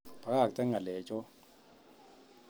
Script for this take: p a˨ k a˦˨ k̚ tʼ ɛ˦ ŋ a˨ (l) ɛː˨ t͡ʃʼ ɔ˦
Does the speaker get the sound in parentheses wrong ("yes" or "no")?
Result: no